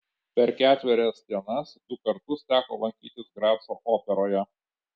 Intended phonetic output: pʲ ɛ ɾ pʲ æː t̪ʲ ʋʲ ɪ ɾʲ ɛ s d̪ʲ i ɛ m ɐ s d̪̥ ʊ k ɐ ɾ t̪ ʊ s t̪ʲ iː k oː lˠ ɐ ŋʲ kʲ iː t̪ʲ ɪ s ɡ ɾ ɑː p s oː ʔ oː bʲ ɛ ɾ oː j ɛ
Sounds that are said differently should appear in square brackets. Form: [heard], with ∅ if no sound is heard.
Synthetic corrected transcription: pʲ ɛ ɾ [kʲ] æː t̪ʲ ʋʲ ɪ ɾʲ ɛ s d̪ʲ i ɛ [n] ɐ s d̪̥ ʊ k ɐ ɾ t̪ ʊ s t̪ʲ [æː] k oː lˠ ɐ ŋʲ kʲ iː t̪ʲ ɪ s ɡ ɾ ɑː p s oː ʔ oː [pʲ] ɛ ɾ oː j ɛ